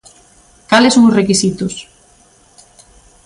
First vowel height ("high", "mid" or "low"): low